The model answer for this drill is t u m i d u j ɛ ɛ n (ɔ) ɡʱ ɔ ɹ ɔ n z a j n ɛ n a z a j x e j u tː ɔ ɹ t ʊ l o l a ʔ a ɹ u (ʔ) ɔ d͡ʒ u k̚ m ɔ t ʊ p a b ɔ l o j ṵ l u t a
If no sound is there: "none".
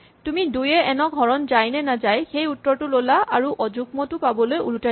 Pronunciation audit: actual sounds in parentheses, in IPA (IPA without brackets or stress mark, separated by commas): ɔ, ʔ